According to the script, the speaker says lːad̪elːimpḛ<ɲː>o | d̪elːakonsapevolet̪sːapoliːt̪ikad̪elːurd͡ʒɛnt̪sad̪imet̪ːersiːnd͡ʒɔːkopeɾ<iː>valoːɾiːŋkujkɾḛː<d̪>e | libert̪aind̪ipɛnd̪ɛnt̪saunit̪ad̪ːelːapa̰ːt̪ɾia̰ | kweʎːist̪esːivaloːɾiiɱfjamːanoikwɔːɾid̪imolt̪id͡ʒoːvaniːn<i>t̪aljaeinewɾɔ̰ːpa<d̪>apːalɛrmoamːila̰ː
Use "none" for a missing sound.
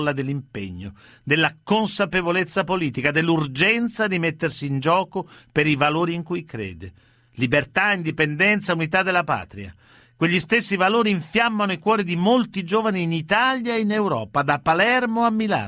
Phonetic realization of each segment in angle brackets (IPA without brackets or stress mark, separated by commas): ɲː, i, d̪, i, d̪